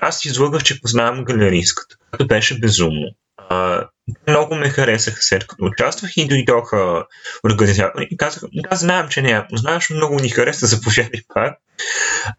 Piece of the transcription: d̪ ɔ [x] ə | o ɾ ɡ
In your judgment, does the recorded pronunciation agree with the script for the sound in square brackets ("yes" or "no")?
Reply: yes